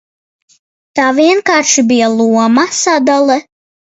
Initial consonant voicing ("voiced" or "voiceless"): voiceless